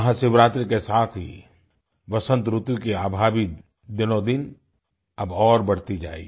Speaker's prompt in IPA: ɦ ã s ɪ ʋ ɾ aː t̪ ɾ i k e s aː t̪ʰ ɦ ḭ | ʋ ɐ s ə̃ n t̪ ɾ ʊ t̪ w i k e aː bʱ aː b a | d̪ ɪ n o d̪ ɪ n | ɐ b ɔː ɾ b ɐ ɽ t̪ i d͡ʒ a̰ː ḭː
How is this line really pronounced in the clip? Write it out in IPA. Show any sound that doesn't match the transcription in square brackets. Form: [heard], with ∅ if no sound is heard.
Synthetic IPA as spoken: ɦ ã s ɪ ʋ ɾ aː t̪ ɾ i k e s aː t̪ʰ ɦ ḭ | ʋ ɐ s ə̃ n t̪ ɾ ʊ t̪ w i k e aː bʱ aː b [i] | d̪ ɪ n o d̪ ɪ n | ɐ b ɔː ɾ b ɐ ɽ t̪ i d͡ʒ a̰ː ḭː